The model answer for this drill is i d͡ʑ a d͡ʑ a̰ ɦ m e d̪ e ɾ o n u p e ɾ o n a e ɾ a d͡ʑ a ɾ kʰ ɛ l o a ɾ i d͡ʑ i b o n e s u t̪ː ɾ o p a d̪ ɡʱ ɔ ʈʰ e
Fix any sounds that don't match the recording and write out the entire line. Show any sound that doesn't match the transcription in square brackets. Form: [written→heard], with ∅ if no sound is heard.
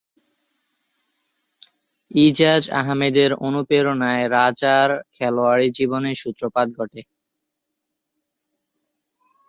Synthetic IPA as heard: i d͡ʑ a d͡ʑ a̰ ɦ m e d̪ e ɾ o n u p e ɾ o n a e ɾ a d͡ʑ a ɾ kʰ ɛ l o a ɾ i d͡ʑ i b o n e [s→ʃ] u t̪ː ɾ o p a d̪ ɡʱ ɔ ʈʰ e

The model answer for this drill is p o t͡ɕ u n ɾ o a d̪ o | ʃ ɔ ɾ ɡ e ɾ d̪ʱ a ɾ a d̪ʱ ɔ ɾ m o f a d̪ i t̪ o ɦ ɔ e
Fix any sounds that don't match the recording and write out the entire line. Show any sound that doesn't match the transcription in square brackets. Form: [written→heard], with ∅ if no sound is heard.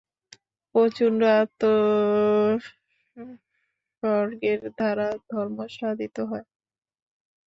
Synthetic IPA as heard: p o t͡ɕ u n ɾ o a [d̪→t̪] o | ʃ ɔ ɾ ɡ e ɾ d̪ʱ a ɾ a d̪ʱ ɔ ɾ m o [f→ʃ] a d̪ i t̪ o ɦ ɔ e

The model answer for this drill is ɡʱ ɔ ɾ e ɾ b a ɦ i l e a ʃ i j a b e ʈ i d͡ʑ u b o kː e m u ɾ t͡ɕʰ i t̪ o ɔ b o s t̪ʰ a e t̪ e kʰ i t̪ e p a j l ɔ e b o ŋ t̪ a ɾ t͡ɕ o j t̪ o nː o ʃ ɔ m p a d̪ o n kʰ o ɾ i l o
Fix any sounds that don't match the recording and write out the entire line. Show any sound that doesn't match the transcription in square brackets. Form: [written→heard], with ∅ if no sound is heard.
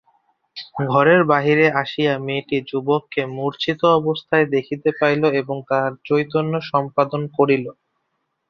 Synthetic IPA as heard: ɡʱ ɔ ɾ e ɾ b a ɦ i [l→ɾ] e a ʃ i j a [b→m] e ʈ i d͡ʑ u b o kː e m u ɾ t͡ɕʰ i t̪ o ɔ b o s t̪ʰ a e [t̪→d̪] e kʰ i t̪ e p a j l [ɔ→o] e b o ŋ t̪ a ɾ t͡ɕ o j t̪ o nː o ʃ ɔ m p a d̪ o n [kʰ→k] o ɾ i l o

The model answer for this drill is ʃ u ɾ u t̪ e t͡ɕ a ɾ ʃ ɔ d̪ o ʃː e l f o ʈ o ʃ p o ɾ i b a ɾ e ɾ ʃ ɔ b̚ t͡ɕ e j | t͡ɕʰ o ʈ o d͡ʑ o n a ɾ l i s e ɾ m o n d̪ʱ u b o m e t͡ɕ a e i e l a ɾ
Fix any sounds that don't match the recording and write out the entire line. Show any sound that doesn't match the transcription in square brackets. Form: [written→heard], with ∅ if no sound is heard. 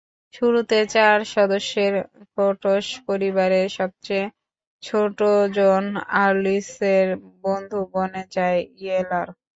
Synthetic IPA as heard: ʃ u ɾ u t̪ e t͡ɕ a ɾ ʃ ɔ d̪ o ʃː e [l→ɾ] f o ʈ o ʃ p o ɾ i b a ɾ e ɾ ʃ ɔ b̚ t͡ɕ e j | t͡ɕʰ o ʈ o d͡ʑ o n a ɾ l i s e ɾ [m→b] o n d̪ʱ u b o [m→n] e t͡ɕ a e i e l a ɾ

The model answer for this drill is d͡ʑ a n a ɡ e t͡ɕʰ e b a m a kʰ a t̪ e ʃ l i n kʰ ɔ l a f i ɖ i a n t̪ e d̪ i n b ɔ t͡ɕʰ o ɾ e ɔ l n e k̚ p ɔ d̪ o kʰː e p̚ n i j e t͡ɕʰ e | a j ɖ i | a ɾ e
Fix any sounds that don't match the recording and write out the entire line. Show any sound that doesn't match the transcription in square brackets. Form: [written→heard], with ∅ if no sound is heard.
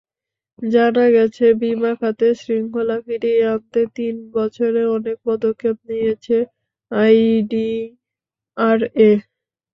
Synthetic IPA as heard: d͡ʑ a n a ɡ [e→ɛ] t͡ɕʰ e b [a→i] m a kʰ a t̪ e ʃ [l→ɾ] i [n→ŋ] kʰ [ɔ→o] l a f i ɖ i a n t̪ e [d̪→t̪] i n b ɔ t͡ɕʰ o ɾ e ɔ [l→∅] n e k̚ p ɔ d̪ o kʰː e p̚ n i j e t͡ɕʰ e | a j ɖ i | a ɾ e

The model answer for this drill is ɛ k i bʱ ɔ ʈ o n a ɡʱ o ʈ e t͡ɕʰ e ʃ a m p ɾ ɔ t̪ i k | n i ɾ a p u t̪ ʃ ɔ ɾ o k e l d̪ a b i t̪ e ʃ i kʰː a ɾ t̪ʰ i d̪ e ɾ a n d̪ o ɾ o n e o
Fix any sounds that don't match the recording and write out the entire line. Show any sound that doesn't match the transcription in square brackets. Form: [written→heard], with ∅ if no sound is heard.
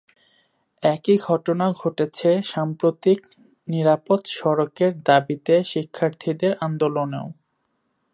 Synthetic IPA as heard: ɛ k i [bʱ→ɡʱ] ɔ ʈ o n a ɡʱ o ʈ e t͡ɕʰ e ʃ a m p ɾ [ɔ→o] t̪ i k | n i ɾ a p [u→o] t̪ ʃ ɔ ɾ o k e [l→ɾ] d̪ a b i t̪ e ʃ i kʰː a ɾ t̪ʰ i d̪ e ɾ a n d̪ o [ɾ→l] o n e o

